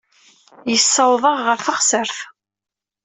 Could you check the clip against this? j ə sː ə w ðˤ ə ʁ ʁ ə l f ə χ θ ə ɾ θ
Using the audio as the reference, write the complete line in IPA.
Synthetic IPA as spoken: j ə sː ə w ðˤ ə ʁ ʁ ə ɾ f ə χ s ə ɾ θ